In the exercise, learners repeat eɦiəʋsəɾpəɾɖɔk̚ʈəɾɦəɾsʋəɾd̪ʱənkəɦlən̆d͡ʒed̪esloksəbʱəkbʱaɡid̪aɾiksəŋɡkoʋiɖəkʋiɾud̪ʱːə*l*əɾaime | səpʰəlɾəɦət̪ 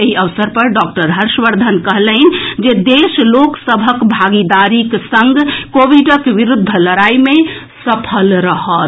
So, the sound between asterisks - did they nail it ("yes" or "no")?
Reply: yes